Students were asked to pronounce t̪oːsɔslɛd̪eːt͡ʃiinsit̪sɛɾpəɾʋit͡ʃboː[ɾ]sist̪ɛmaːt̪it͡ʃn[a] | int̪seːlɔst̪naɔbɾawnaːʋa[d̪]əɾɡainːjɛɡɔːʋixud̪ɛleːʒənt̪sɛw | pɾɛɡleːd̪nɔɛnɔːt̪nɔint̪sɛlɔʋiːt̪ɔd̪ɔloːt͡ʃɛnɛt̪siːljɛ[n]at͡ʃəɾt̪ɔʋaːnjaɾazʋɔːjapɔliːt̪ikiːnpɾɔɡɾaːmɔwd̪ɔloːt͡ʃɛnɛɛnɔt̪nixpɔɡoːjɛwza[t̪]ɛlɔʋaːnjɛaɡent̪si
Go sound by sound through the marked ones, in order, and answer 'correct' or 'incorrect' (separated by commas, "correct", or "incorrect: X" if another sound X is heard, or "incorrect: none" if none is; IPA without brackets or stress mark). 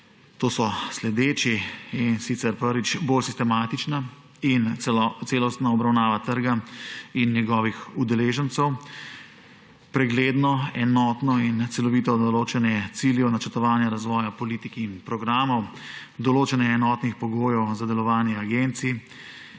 incorrect: l, correct, incorrect: t̪, correct, incorrect: d̪